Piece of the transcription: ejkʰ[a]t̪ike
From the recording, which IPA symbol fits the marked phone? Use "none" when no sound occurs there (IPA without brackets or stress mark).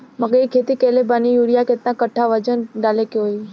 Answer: e